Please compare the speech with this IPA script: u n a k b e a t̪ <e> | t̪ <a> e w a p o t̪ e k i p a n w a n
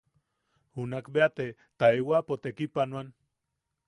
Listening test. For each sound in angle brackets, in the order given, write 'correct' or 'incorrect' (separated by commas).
correct, correct